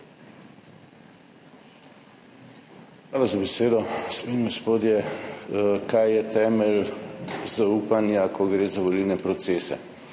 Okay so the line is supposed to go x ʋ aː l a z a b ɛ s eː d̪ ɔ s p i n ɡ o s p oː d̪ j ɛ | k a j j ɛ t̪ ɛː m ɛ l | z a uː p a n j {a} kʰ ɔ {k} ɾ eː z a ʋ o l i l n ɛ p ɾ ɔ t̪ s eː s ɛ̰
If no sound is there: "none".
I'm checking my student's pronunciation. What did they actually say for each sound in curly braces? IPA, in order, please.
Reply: a, ɡ

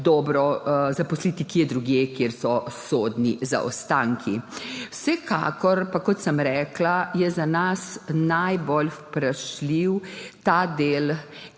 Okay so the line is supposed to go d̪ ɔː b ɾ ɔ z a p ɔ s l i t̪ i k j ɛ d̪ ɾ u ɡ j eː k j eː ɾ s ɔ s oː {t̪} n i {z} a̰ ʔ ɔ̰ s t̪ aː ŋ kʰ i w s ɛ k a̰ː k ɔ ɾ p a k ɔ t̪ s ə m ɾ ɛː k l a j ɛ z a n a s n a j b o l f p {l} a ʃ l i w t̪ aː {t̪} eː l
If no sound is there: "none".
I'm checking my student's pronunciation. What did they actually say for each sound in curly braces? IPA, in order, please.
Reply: d̪, z, ɾ, d̪

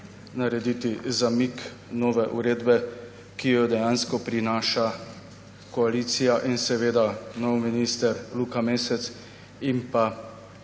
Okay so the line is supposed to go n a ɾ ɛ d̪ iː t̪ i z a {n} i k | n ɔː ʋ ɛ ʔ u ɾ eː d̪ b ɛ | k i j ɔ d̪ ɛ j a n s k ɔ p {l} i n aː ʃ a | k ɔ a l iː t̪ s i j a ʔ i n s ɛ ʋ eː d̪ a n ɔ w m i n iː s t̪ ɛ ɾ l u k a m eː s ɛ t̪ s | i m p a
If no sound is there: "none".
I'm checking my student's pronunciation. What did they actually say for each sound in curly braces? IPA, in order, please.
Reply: m, ɾ

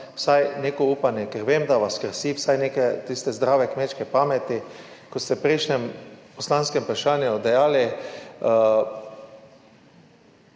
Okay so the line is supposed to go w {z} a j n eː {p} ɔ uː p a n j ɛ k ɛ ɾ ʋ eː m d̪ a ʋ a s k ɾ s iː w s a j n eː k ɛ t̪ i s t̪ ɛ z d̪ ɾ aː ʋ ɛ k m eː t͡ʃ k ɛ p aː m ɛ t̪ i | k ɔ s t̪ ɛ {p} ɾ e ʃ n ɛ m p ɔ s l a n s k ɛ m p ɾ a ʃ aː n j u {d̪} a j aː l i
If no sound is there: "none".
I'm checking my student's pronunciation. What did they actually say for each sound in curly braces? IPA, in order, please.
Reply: s, k, p, d̪

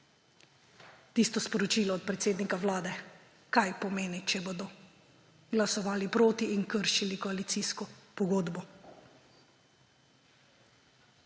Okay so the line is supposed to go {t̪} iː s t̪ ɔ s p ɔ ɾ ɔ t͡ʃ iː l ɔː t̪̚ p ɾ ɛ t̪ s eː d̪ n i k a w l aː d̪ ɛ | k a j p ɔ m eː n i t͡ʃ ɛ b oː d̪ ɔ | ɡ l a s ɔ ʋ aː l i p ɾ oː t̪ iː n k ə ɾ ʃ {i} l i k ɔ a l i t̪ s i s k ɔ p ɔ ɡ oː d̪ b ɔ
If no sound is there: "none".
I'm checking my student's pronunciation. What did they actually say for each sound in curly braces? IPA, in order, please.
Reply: t̪, i

